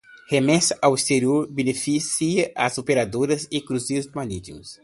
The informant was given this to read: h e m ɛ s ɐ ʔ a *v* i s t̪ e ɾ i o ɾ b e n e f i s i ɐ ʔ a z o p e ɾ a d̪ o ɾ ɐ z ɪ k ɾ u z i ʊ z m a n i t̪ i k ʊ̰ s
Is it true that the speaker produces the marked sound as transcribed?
no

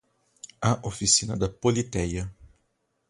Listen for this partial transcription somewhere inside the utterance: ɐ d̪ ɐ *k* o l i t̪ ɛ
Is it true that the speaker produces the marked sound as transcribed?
no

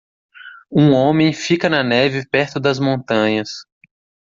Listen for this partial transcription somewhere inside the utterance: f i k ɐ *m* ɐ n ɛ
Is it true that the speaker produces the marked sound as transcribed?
no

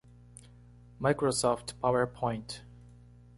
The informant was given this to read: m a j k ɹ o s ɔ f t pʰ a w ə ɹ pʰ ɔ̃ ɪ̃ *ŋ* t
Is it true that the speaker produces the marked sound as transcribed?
no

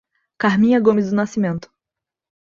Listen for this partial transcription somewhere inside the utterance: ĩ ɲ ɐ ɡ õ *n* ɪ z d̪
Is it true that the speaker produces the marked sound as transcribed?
no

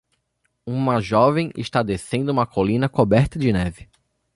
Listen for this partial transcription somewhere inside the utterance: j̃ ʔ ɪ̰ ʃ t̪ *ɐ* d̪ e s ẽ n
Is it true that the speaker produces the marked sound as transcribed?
no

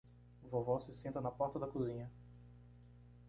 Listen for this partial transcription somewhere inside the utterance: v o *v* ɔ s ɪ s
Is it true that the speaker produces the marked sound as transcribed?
yes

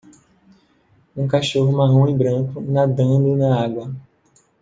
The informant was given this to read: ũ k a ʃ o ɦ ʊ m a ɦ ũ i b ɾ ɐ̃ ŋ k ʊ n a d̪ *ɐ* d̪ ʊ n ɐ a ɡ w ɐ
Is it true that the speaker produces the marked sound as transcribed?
no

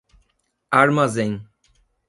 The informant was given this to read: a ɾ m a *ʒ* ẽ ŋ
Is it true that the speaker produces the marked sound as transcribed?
no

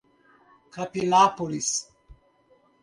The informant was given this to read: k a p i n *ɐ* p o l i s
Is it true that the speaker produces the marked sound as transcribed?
no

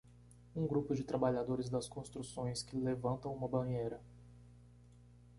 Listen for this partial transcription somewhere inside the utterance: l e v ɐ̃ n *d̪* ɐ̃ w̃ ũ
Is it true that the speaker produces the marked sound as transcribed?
no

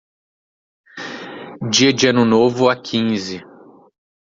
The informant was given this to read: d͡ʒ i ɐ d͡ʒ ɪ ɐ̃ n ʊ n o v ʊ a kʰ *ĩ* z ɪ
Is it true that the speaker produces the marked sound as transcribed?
yes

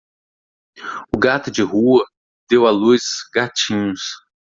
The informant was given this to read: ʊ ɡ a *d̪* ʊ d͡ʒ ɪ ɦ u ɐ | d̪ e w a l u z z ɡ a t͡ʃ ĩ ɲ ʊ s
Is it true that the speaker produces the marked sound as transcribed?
no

